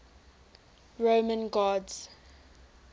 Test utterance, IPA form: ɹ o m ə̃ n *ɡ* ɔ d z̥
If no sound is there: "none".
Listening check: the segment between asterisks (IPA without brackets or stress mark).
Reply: ɡ